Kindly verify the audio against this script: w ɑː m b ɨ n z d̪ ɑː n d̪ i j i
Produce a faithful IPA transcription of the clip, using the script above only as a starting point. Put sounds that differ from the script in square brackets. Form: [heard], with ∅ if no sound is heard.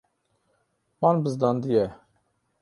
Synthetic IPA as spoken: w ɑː [n] b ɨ [∅] z d̪ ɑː n d̪ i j [ɛ]